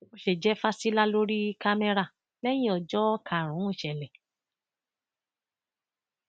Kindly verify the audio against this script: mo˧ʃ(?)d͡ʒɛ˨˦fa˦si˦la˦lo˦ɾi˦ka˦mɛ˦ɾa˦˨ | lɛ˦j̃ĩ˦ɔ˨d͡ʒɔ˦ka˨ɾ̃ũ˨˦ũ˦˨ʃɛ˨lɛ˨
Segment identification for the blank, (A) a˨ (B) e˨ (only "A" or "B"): B